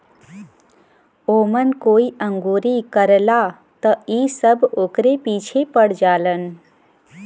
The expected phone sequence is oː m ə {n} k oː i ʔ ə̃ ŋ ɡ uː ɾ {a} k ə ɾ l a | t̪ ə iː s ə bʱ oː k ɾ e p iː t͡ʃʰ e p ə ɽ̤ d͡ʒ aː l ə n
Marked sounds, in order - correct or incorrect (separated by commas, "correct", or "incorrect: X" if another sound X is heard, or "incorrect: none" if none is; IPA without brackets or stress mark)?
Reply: correct, incorrect: i